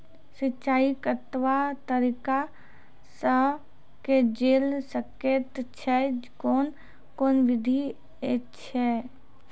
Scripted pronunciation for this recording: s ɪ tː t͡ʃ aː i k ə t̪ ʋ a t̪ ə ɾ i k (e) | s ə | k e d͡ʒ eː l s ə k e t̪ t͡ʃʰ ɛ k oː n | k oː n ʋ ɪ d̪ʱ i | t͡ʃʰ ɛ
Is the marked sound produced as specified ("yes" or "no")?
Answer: no